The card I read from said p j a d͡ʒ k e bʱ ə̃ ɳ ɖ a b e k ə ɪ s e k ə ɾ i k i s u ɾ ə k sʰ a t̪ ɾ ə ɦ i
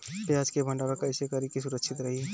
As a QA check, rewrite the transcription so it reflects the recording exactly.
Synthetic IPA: p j a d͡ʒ k e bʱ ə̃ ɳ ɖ a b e k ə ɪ s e k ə ɾ i k i s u ɾ ə k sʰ i t̪ ɾ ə ɦ i